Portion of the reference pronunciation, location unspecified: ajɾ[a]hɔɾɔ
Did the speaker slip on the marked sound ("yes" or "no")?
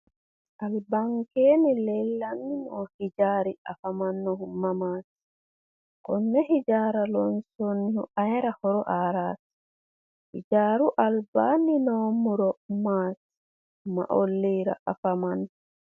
no